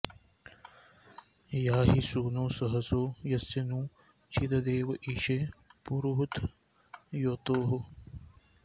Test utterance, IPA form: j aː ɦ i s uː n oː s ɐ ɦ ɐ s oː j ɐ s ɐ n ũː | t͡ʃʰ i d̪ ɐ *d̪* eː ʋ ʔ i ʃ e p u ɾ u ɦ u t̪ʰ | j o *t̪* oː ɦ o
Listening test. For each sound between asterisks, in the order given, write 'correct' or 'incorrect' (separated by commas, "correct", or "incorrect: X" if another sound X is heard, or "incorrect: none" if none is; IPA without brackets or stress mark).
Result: correct, correct